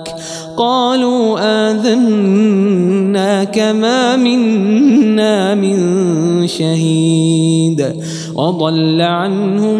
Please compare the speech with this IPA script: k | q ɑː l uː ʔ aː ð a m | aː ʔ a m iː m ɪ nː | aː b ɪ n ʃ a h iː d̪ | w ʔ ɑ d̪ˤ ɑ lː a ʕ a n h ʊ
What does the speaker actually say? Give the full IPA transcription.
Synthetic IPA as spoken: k | q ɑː l uː ʔ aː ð a n | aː k a m aː m ɪ nː | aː m ɪ n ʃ a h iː d̪ | w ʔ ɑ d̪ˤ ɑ lː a ʕ a n h ʊ